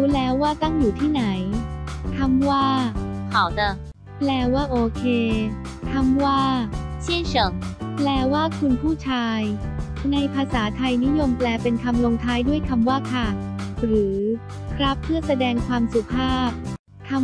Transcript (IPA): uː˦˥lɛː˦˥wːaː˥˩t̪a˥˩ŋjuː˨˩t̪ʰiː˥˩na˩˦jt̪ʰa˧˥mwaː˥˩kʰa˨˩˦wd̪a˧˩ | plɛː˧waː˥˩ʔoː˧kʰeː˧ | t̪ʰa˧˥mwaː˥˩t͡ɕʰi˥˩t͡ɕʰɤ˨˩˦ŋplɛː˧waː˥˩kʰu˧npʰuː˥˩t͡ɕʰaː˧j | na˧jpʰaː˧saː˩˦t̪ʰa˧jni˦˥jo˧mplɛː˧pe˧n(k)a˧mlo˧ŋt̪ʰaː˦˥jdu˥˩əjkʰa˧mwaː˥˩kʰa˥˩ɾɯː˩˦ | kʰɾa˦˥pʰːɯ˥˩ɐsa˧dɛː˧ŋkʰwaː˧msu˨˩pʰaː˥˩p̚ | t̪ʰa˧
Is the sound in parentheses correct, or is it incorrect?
incorrect